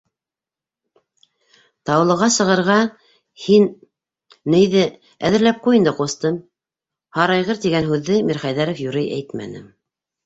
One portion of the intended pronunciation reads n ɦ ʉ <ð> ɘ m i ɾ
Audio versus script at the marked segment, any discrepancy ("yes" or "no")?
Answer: yes